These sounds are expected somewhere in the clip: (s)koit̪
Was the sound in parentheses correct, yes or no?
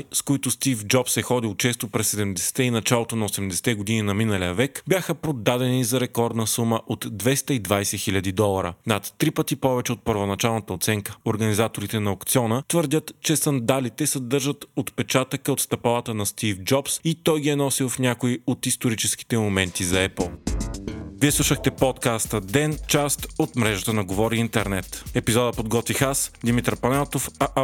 yes